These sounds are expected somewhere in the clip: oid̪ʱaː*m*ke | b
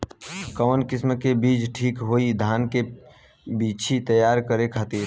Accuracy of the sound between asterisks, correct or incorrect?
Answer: incorrect